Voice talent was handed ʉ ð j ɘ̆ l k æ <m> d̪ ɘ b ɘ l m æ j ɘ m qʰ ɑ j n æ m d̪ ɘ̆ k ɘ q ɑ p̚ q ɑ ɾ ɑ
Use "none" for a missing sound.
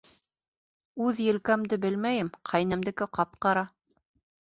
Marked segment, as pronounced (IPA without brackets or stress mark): m